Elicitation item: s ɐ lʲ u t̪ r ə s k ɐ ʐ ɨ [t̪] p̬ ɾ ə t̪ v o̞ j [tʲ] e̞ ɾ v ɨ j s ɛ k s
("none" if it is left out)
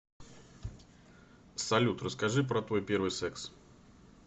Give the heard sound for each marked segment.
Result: none, pʲ

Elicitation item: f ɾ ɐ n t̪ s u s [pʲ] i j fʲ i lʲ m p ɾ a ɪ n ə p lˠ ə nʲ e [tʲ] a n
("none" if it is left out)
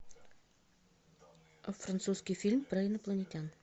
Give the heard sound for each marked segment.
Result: kʲ, tʲ

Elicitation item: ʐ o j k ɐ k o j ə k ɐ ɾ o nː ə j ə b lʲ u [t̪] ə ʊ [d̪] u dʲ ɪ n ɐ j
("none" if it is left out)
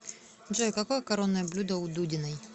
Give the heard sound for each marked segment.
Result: d̪, d̪

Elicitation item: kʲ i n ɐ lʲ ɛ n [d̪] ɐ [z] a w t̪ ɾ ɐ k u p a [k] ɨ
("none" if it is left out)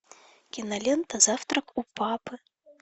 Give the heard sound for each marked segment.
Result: t̪, z, p

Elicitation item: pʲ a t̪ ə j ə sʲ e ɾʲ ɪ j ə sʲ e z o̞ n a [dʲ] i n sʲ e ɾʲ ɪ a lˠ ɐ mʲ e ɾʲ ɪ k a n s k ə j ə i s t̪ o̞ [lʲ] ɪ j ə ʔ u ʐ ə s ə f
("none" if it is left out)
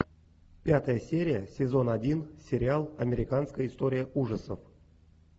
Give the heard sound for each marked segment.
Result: dʲ, ɾʲ

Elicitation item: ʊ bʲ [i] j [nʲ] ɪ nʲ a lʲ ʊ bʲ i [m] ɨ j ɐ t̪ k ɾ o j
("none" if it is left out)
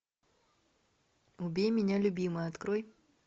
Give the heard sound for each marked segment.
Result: e, mʲ, m

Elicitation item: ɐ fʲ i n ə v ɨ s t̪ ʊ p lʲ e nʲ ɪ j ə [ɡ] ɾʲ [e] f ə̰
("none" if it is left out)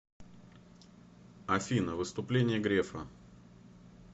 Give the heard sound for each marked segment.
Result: ɡ, e

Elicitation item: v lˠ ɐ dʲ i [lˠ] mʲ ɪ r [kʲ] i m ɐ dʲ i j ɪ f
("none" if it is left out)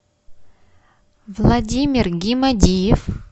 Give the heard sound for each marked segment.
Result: none, ɡʲ

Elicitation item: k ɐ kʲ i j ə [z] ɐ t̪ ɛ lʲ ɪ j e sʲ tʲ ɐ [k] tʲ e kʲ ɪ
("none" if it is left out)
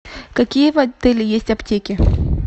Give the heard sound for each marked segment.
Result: v, p

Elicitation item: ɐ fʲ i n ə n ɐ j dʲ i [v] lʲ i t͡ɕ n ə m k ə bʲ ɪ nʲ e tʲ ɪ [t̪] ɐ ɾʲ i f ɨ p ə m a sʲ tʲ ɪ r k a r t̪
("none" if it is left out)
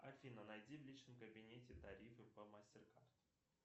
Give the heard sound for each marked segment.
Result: v, t̪

